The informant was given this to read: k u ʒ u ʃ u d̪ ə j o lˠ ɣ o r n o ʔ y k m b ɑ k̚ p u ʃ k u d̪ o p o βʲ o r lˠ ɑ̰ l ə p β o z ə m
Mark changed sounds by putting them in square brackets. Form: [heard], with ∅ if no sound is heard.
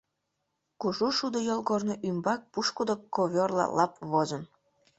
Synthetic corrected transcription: k u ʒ u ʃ u d̪ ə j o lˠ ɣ o r n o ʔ y [∅] m b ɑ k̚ p u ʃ k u d̪ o [k] o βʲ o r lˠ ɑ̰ l [ɑ] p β o z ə [n]